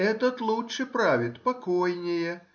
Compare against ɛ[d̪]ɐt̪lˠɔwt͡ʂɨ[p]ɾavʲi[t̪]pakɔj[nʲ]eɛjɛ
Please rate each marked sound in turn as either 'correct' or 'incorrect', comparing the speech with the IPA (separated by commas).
incorrect, correct, correct, correct